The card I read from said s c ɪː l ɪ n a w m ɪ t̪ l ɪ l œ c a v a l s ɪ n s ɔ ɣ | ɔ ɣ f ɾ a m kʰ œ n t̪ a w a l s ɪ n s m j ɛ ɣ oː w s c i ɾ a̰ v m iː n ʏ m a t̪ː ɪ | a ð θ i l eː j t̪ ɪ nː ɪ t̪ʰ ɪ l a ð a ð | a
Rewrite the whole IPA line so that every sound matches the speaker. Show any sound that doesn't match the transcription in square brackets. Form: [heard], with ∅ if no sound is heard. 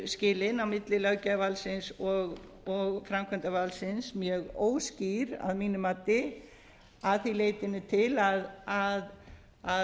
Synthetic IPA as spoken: s c ɪː l ɪ n a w m ɪ t̪ l ɪ l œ c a v a l s ɪ n s ɔ ɣ | ɔ ɣ f ɾ a m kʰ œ n t̪ a [v] a l s ɪ n s m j ɛ ɣ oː w s c i ɾ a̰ [ð] m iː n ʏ m a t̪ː ɪ | a ð θ i l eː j t̪ ɪ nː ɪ t̪ʰ ɪ l a ð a ð | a

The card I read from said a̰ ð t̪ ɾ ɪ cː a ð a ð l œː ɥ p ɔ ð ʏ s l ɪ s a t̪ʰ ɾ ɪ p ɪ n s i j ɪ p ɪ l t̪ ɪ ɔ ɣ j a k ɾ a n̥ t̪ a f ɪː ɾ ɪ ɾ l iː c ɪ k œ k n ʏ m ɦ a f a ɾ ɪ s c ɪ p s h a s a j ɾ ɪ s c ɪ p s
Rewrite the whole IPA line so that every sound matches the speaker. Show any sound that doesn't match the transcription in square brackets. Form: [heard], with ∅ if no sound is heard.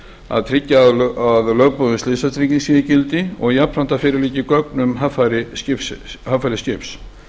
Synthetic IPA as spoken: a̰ ð [t̪ʰ] ɾ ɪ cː a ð a ð l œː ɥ p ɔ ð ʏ s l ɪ s a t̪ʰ ɾ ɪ [c] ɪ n s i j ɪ [c] ɪ l t̪ ɪ ɔ ɣ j a [p] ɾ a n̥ t̪ a f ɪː ɾ ɪ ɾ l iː c ɪ k œ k n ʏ m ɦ a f a ɾ ɪ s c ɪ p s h a [f] a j ɾ ɪ s c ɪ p s

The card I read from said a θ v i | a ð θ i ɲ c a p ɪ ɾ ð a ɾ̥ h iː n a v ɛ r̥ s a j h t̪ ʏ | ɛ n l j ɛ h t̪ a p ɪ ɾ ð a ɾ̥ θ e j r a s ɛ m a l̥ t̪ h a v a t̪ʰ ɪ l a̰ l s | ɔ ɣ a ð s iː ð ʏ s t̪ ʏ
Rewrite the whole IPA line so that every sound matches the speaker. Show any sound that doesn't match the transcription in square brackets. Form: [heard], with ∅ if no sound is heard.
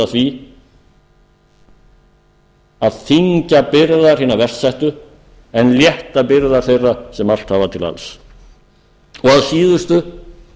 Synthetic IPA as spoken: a θ v i | a ð θ i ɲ c a p ɪ ɾ ð a ɾ̥ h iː n a v ɛ r̥ s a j h t̪ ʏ | ɛ n l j ɛ h t̪ a p ɪ ɾ ð a ɾ̥ θ e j r a s ɛ m a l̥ t̪ h a v a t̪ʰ ɪ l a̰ l s | ɔ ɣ a ð s iː ð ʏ s t̪ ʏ

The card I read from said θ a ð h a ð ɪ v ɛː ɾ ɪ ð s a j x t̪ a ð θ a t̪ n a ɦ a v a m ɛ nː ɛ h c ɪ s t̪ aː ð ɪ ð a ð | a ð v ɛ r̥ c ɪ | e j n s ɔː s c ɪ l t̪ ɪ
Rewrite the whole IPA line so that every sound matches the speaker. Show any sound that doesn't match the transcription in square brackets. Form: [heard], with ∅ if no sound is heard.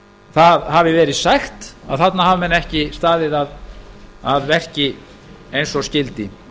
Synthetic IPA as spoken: θ a ð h a [v] ɪ v ɛː ɾ ɪ ð s a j x t̪ a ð θ a t̪ n a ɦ a v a m ɛ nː ɛ h c ɪ s t̪ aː ð ɪ ð a ð | a ð v ɛ r̥ c ɪ | e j n s [ɔ] s c ɪ l t̪ ɪ

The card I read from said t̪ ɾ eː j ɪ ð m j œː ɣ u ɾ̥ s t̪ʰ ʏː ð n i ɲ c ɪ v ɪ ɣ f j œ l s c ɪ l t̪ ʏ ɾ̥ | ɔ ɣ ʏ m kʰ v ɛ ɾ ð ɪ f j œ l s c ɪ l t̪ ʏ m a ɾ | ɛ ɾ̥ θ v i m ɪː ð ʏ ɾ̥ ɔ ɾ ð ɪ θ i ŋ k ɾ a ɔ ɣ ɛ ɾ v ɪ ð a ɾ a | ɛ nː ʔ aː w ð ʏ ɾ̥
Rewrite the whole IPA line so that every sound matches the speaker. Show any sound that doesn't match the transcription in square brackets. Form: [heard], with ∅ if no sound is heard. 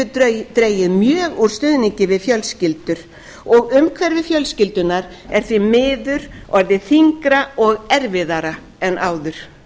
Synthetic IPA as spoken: t̪ ɾ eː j ɪ ð m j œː ɣ u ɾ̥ s [t̪] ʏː ð n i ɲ c ɪ v ɪ [ð] f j œ l s c ɪ l t̪ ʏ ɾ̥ | ɔ ɣ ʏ m kʰ v ɛ ɾ [v] ɪ f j œ l s c ɪ l t̪ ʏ [n] a ɾ | ɛ ɾ̥ θ v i m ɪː ð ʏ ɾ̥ ɔ ɾ ð ɪ θ i ŋ k ɾ a ɔ ɣ ɛ ɾ v ɪ ð a ɾ a | ɛ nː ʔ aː w ð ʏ ɾ̥

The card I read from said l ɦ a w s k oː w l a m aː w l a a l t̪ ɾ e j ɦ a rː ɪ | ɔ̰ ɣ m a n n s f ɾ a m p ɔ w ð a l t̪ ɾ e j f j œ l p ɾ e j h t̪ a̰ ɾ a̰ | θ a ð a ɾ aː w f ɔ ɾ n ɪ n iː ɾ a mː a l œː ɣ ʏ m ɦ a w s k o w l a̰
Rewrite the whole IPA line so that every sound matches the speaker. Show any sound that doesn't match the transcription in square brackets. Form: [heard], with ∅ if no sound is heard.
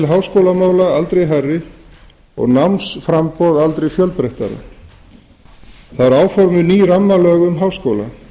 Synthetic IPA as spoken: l ɦ a w s k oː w l a m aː w l a a l t̪ ɾ e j ɦ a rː ɪ | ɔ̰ ɣ [n] a [m] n s f ɾ a m p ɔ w ð a l t̪ ɾ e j f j œ l p ɾ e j h t̪ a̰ ɾ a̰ | θ a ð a ɾ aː w f ɔ ɾ [m] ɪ n iː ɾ a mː a l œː ɣ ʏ m ɦ a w s k o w l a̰

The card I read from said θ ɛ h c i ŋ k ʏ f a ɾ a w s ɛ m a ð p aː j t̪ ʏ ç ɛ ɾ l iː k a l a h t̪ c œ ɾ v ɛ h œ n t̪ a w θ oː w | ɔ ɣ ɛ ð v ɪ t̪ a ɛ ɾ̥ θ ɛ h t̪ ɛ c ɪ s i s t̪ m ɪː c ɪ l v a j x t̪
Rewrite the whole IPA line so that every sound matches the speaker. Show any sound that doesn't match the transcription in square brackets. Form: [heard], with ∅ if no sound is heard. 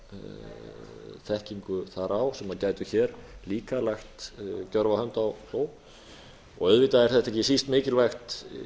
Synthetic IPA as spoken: θ ɛ h c i ŋ k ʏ [θ] a ɾ a w s ɛ m a ð [c] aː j t̪ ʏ ç ɛ ɾ l iː k a l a [x] t̪ c œ ɾ v [a] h œ n t̪ a w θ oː w | ɔ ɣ [œ] ð v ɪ t̪ a ɛ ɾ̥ θ ɛ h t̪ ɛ c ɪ s i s t̪ m ɪː c ɪ l v a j x t̪

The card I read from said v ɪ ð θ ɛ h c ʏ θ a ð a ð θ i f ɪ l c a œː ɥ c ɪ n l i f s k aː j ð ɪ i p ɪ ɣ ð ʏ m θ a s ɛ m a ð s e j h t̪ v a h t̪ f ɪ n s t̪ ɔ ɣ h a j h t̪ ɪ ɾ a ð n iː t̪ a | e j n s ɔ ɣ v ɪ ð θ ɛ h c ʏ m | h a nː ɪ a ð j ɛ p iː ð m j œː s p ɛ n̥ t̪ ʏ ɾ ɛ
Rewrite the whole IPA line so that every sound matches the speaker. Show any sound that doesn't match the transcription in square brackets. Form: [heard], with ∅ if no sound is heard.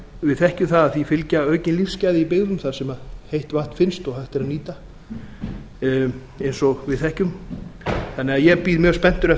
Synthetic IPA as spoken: v ɪ ð θ ɛ h c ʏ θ a ð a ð θ i f ɪ l c a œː ɥ c ɪ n l i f s [c] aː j ð ɪ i p ɪ ɣ ð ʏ m θ a s ɛ m a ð [h] e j h t̪ v a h t̪ f ɪ n s t̪ ɔ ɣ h a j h t̪ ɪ ɾ a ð n iː t̪ a | e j n s ɔ ɣ v ɪ ð θ ɛ h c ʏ m | [θ] a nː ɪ a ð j ɛ p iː ð m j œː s p ɛ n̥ t̪ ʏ ɾ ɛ

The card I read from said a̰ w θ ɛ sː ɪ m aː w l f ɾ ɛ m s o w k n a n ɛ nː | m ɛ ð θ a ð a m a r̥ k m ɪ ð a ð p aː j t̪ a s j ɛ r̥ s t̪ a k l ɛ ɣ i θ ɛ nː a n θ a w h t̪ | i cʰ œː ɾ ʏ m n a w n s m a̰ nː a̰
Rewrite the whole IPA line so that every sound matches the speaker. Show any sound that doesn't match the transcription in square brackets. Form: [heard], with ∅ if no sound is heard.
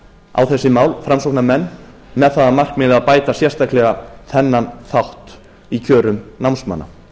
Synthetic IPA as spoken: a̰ w θ ɛ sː ɪ m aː w l f ɾ [a] m s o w k n a [m] ɛ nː | m ɛ ð θ a ð a m a r̥ k m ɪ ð a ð p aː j t̪ a s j ɛ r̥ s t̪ a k l ɛ ɣ [a] θ ɛ nː a n θ a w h t̪ | i cʰ œː ɾ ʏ m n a w n s m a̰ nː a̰

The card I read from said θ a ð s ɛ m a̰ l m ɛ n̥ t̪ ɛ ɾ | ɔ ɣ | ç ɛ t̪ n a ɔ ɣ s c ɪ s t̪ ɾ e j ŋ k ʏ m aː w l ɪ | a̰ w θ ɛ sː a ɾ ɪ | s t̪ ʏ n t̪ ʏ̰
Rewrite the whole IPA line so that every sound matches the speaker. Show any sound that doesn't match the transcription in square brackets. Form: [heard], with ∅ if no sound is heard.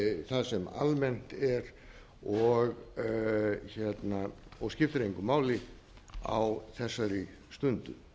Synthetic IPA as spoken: θ a ð s ɛ m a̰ l m ɛ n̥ t̪ ɛ ɾ | ɔ ɣ | ç ɛ t̪ n a ɔ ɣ s c ɪ [f] t̪ ɾ e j ŋ k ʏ m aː w l ɪ | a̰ w θ ɛ sː a ɾ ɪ | s t̪ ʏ n t̪ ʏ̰

